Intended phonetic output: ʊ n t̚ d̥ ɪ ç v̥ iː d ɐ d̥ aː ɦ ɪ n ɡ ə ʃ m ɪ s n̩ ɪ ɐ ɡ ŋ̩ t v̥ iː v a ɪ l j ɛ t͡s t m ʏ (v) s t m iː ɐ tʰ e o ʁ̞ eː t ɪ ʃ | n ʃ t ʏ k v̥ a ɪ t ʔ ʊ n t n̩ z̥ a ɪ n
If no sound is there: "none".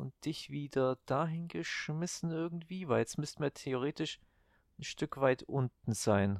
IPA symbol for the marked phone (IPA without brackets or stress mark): none